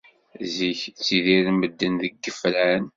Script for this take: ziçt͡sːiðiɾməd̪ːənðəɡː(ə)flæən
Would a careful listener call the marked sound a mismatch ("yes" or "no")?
no